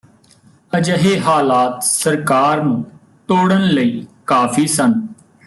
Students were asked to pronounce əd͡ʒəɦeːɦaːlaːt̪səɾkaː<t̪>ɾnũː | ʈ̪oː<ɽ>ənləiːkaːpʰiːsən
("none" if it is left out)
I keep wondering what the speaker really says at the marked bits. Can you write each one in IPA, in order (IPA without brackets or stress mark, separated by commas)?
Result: none, ɽ